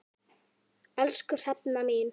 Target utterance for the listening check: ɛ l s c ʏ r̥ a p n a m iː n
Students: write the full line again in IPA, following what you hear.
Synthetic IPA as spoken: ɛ l s k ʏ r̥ ɛ p n a m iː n